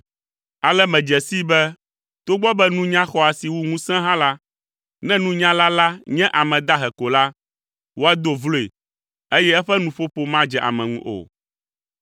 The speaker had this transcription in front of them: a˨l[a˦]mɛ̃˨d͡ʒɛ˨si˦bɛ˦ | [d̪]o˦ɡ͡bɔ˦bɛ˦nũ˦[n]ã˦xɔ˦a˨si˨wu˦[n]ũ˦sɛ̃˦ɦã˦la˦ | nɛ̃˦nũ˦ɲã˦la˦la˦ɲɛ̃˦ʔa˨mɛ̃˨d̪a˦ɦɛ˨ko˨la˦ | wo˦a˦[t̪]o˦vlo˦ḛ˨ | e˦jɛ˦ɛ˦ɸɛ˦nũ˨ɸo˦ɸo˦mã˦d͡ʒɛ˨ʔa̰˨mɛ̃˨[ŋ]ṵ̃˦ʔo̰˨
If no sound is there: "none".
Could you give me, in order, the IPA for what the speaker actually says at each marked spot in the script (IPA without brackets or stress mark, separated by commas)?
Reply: ɛ˦, t̪, ɲ, ŋ, d̪, ŋ